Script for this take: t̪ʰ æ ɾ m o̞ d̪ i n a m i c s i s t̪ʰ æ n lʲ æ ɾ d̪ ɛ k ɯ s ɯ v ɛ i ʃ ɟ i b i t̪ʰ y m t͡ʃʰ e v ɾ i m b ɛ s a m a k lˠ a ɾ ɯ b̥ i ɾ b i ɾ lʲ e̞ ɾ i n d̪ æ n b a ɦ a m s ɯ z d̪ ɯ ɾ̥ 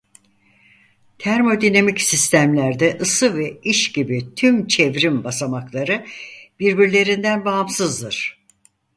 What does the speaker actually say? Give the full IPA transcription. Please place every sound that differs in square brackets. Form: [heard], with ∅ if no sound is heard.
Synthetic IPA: t̪ʰ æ ɾ m o̞ d̪ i n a m i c s i s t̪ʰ æ [m] lʲ æ ɾ d̪ ɛ [ʔ] ɯ s ɯ v ɛ i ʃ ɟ i b i t̪ʰ y m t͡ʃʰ e v ɾ i m b [a] s a m a k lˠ a ɾ ɯ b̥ i ɾ b i ɾ lʲ e̞ ɾ i n d̪ æ n b a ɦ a m s ɯ z d̪ ɯ ɾ̥